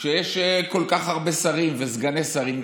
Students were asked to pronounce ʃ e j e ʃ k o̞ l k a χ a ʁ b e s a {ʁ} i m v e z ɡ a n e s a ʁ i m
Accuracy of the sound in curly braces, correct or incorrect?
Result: correct